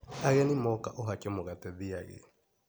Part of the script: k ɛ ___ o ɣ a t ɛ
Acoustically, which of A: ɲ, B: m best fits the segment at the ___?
B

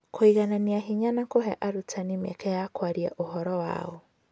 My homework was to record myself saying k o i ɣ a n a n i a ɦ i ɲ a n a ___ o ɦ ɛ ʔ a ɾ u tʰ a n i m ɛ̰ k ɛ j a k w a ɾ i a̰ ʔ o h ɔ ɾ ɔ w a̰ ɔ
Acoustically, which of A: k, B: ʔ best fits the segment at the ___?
A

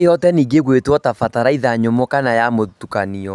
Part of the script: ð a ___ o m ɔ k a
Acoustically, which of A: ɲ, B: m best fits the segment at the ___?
A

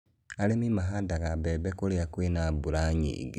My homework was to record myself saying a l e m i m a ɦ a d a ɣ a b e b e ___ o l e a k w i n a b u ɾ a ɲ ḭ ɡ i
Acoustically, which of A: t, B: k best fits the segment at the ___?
B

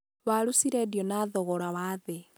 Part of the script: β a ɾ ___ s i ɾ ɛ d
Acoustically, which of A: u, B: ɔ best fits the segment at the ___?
A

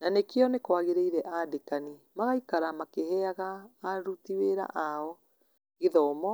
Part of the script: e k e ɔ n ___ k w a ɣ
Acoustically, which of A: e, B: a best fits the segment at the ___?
A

